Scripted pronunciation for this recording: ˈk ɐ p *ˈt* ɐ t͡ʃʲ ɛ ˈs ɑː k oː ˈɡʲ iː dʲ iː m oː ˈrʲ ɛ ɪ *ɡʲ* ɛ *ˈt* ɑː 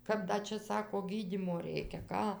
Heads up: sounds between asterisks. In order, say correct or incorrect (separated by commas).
incorrect, incorrect, incorrect